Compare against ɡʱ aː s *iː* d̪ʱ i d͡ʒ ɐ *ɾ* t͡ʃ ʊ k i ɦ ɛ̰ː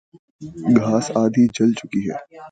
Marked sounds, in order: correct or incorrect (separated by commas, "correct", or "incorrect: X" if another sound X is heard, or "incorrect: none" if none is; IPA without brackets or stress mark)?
incorrect: aː, incorrect: l